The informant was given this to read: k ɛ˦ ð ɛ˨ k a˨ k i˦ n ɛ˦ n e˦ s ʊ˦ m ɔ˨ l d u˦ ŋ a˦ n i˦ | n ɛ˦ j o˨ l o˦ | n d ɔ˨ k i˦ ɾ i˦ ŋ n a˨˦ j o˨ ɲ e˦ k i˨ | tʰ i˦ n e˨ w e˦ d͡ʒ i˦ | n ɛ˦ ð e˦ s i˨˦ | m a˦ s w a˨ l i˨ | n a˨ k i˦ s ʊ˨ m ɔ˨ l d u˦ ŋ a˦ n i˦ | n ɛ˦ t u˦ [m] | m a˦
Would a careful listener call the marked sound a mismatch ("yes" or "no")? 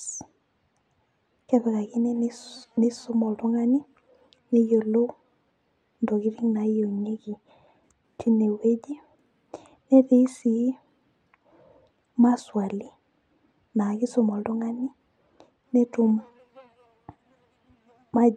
no